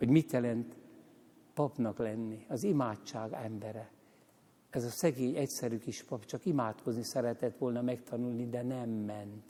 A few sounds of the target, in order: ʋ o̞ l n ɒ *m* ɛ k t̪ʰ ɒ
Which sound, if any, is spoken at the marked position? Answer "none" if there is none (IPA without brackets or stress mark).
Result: m